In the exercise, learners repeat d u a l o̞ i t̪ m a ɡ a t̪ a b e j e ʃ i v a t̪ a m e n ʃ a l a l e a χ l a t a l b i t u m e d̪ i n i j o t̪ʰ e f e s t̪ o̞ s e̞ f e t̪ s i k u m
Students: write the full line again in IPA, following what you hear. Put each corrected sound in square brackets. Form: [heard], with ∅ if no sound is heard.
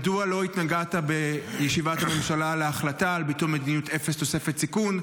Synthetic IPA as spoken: d u a l o̞ i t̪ [n] a ɡ a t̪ a b e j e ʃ i v a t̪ a m e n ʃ a l a l e a χ l a t a l b i t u m e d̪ i n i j [u] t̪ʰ e f e s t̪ o̞ s e̞ f e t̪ s i k u [n]